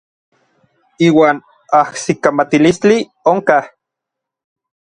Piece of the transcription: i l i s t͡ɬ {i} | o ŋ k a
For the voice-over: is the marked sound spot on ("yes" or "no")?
yes